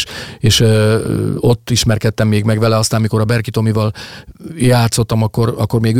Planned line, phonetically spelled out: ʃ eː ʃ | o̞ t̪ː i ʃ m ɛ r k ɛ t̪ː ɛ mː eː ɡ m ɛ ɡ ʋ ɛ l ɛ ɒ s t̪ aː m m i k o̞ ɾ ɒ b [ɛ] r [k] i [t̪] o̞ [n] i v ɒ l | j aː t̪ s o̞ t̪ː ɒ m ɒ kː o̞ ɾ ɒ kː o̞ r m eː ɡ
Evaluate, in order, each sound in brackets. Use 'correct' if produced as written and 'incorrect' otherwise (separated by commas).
correct, correct, correct, incorrect